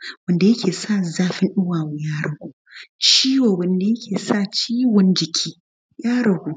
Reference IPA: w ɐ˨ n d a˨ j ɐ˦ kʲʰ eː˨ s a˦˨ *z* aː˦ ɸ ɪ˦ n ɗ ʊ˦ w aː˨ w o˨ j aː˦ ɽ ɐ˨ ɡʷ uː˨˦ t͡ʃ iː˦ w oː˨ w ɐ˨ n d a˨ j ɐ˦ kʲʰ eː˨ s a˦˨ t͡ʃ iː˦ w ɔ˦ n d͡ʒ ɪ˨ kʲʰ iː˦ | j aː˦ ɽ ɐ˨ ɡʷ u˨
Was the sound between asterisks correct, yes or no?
yes